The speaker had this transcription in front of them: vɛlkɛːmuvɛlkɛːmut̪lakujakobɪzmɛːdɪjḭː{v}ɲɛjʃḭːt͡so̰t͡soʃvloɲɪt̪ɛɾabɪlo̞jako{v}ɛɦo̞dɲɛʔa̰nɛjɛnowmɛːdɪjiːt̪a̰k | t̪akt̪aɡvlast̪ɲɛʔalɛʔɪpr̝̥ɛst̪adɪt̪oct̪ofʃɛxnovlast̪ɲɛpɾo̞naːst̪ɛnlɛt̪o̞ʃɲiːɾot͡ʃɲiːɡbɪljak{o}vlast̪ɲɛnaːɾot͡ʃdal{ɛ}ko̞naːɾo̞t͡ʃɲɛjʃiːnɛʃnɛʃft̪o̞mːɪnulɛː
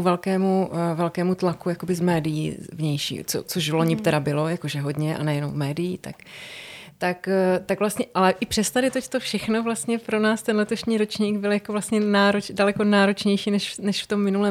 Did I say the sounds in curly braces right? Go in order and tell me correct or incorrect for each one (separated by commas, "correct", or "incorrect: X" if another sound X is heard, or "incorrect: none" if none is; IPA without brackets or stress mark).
correct, incorrect: ʒ, correct, correct